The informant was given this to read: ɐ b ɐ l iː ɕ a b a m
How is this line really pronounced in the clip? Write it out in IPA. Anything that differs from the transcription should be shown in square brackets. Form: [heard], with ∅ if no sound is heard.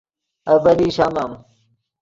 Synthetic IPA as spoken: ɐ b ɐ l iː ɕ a [m] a m